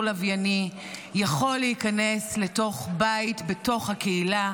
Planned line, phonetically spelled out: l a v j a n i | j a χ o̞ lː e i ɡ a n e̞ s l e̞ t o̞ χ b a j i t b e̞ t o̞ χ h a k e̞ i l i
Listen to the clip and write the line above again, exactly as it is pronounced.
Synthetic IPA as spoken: l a v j a n i | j a χ o̞ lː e i k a n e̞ s l e̞ t o̞ χ b a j i t b e̞ t o̞ χ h a k e̞ i l a

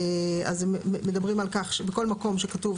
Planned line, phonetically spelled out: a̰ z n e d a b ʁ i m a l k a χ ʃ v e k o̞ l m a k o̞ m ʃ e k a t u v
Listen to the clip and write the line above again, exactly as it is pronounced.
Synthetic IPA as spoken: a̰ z m e d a b ʁ i m a l k a χ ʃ b e k o̞ l m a k o̞ m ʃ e k a t u v

